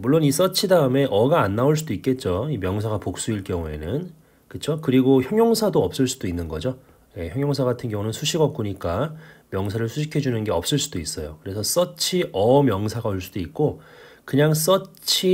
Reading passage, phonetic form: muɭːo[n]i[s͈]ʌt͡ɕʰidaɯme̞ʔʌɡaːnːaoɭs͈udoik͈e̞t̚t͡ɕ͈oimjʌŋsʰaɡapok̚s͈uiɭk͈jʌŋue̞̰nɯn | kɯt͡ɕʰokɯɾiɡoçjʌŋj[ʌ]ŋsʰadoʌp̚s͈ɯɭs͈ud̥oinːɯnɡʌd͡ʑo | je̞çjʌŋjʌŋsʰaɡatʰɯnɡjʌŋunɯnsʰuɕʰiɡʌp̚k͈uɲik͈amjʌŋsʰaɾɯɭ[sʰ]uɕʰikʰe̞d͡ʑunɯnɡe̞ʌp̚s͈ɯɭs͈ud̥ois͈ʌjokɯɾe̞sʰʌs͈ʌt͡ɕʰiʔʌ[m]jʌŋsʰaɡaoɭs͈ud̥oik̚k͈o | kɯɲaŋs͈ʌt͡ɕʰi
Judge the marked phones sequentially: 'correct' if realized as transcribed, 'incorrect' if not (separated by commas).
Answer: correct, correct, correct, correct, correct